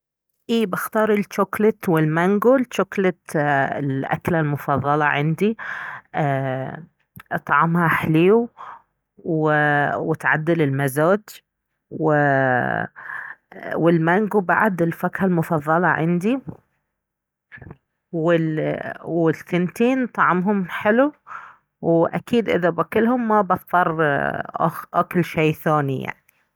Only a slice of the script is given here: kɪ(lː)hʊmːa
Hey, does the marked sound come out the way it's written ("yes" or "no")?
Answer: no